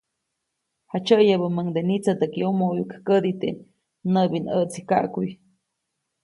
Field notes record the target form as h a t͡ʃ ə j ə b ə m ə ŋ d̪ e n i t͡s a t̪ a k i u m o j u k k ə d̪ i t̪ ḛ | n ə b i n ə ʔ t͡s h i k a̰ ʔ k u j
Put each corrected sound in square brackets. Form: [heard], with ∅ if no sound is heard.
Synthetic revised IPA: h a t͡ʃ ə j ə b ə m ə ŋ d̪ e n i t͡s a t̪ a k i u m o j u k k ə d̪ i t̪ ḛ | n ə b i n ə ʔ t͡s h i k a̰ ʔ k u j